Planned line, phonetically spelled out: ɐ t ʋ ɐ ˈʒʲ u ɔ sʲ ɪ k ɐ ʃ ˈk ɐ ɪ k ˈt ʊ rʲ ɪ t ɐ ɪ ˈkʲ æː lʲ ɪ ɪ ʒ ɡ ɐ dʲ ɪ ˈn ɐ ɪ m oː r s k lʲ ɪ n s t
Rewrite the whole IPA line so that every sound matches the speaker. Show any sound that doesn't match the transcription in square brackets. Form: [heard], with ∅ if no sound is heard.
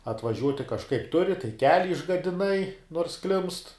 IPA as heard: ɐ t ʋ ɐ ˈʒʲ u ɔ [tʲ] ɪ k ɐ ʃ ˈk ɐ ɪ [p] ˈt ʊ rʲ ɪ t ɐ ɪ ˈkʲ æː lʲ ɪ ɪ ʒ ɡ ɐ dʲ ɪ ˈn ɐ ɪ [n] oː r s k lʲ ɪ [m] s t